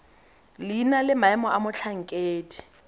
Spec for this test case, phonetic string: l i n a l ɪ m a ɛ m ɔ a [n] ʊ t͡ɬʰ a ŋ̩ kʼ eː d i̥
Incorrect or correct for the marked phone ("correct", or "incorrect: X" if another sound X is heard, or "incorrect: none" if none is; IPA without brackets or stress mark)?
incorrect: m